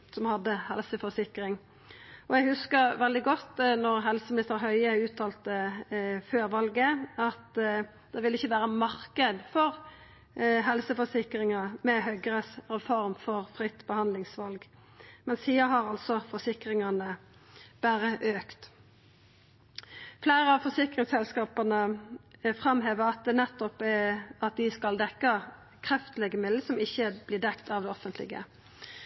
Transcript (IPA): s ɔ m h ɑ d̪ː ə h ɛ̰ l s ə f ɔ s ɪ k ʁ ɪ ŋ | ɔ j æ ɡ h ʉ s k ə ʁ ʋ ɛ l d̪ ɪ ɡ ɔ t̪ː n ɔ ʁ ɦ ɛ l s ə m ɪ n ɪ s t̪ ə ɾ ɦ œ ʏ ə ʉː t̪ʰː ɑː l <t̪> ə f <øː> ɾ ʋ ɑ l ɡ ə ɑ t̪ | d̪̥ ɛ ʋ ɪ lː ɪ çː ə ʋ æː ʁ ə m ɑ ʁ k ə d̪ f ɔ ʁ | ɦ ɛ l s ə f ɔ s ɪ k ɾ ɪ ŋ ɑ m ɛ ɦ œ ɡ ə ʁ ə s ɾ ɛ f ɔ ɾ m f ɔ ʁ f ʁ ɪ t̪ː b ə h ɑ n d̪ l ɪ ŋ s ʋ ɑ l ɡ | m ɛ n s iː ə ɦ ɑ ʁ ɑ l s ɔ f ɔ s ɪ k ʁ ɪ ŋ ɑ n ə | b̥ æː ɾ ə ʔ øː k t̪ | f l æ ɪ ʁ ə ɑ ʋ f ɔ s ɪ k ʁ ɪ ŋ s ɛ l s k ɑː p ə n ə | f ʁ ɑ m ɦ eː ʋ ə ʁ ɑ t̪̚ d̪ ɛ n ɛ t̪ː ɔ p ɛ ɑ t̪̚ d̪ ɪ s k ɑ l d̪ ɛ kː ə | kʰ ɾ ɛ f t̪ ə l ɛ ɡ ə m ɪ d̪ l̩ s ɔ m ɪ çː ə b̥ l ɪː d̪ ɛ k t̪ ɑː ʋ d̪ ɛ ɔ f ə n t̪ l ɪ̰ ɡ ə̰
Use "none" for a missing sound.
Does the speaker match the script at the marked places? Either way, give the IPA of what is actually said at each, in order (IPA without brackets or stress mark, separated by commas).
t̪, øː